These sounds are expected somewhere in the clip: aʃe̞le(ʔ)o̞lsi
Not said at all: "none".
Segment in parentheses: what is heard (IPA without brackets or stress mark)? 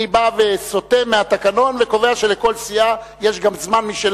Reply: k